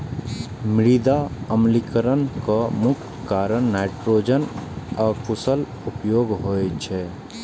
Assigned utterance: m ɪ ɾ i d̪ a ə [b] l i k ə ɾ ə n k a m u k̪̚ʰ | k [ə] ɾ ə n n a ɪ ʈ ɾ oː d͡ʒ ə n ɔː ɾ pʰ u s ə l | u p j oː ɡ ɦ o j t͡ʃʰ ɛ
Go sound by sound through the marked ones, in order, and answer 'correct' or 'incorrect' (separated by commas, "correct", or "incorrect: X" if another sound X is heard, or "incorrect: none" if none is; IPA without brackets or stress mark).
incorrect: m, incorrect: a